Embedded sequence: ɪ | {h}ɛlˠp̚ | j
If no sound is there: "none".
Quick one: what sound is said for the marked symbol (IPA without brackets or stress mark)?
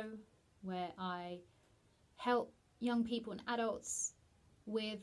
h